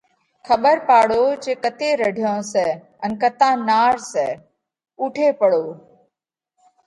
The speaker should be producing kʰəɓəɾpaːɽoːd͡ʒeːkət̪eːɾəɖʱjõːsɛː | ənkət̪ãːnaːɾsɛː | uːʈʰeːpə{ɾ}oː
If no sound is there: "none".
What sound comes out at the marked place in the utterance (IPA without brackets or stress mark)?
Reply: ɽ